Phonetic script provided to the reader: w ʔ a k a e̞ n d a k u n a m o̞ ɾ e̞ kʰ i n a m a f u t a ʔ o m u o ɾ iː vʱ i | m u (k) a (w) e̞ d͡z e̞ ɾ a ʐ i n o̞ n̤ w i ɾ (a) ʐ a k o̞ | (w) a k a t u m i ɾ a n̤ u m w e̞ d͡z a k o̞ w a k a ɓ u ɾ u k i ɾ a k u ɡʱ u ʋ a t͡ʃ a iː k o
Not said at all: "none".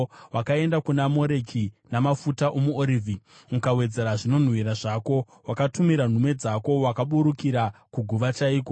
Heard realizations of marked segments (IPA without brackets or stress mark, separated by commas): k, w, a, w